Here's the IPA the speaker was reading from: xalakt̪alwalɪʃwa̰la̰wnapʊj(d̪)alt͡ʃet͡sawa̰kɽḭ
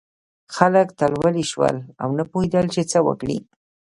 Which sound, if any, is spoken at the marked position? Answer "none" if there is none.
d̪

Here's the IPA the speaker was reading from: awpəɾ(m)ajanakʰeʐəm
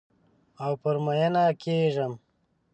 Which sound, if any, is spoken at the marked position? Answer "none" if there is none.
m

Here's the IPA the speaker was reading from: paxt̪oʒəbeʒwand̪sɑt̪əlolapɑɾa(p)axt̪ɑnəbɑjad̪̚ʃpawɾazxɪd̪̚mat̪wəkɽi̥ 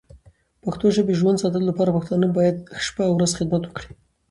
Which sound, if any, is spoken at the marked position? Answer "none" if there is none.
p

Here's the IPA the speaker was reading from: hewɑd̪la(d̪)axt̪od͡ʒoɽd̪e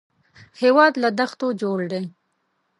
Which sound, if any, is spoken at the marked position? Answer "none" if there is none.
d̪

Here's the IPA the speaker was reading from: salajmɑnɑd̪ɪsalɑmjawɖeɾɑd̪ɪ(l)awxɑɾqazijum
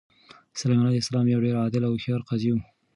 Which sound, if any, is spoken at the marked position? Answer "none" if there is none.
l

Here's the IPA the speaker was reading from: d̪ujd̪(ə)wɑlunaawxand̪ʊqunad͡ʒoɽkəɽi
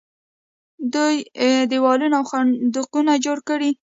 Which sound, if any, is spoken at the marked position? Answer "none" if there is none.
ə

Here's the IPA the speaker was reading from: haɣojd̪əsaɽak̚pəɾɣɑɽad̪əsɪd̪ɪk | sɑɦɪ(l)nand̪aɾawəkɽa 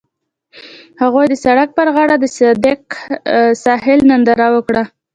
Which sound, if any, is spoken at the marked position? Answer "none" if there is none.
l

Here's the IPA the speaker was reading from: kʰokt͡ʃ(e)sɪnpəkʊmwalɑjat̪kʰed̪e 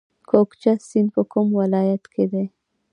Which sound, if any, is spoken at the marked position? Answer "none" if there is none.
a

